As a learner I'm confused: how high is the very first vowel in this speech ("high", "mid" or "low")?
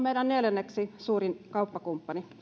mid